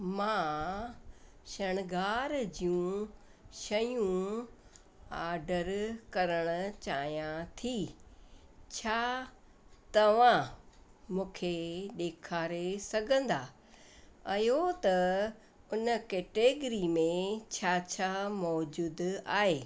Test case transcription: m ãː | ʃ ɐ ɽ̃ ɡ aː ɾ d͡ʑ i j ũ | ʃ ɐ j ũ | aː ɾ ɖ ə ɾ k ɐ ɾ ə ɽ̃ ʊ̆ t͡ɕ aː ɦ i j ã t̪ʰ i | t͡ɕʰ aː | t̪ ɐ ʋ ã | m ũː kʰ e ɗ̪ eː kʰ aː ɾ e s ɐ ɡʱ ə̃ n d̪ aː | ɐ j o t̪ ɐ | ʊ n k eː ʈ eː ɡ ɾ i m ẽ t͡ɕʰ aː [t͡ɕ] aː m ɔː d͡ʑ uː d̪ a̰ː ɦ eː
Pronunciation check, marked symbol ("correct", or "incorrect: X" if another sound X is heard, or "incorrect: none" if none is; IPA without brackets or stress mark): incorrect: t͡ɕʰ